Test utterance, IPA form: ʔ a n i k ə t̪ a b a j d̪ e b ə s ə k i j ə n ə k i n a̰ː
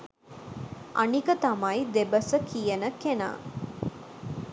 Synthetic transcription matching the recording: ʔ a n i k ə t̪ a m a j d̪ e b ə s ə k i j ə n ə k e n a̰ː